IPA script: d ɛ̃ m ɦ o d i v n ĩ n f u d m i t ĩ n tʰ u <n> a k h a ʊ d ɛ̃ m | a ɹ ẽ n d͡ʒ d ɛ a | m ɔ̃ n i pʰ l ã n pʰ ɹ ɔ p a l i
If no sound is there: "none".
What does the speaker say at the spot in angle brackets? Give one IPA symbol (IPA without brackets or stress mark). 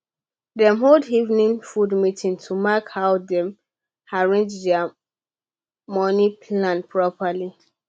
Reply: m